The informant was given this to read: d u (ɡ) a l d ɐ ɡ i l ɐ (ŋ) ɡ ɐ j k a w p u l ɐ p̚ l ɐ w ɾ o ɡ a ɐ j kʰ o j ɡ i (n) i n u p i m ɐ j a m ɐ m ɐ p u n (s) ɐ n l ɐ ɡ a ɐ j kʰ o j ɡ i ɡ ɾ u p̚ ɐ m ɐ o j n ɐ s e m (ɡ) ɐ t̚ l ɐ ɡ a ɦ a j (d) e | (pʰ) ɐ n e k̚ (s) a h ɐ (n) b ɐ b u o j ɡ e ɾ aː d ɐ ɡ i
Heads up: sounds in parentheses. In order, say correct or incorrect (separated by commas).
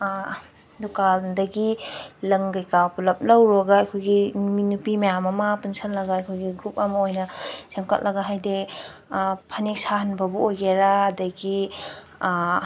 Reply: incorrect, correct, incorrect, correct, incorrect, correct, correct, correct, correct